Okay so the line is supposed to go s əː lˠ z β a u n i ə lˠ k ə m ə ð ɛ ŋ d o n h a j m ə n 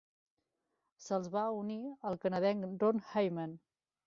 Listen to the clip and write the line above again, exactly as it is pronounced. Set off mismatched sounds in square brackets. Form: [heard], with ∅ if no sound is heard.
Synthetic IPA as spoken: s [ə] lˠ z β a u n i ə lˠ k ə [n] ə ð ɛ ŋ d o n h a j m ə n